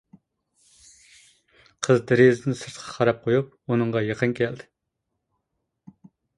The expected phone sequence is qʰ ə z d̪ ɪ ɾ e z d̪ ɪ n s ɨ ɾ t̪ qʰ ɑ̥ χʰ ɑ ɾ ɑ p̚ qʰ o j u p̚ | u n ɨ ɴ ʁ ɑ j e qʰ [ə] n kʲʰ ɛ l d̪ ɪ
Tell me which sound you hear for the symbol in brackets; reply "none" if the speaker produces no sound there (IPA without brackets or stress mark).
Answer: ə